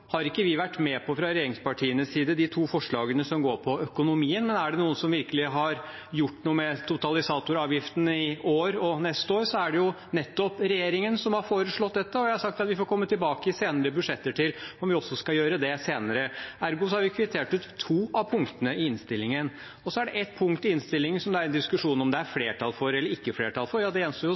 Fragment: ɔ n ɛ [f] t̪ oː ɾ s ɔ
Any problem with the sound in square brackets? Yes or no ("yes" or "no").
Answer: yes